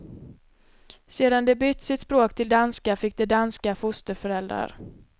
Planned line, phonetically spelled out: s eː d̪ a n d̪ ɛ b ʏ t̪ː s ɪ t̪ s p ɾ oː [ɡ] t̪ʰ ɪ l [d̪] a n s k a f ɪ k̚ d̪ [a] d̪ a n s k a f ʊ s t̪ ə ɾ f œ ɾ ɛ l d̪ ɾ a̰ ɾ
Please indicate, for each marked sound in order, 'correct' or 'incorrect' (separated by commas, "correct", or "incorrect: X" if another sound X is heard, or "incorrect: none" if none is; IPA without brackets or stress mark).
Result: incorrect: k, correct, incorrect: ɛ